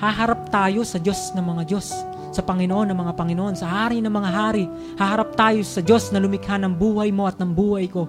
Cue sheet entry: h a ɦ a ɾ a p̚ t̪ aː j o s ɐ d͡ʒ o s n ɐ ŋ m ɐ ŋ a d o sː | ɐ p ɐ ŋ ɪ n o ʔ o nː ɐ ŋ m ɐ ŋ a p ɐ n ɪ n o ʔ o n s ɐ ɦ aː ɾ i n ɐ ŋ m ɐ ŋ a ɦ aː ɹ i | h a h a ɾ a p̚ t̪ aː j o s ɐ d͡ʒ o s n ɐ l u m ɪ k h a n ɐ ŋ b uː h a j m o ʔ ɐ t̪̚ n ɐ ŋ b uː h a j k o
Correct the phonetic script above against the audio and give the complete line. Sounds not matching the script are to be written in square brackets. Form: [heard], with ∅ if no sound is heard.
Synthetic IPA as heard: h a ɦ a ɾ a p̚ t̪ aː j o s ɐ d͡ʒ o s n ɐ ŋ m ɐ ŋ a [d͡ʒ] o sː | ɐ p ɐ ŋ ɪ n o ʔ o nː ɐ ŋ m ɐ ŋ a p ɐ [ŋ] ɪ n o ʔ o n s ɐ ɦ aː ɾ i n ɐ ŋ m ɐ ŋ a ɦ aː [ɾ] i | h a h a ɾ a p̚ t̪ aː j o s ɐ d͡ʒ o s n ɐ l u m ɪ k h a n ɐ ŋ b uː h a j m o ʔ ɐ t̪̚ n ɐ ŋ b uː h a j k o